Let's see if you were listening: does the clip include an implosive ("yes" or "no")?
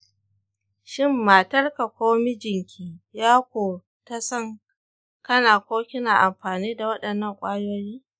yes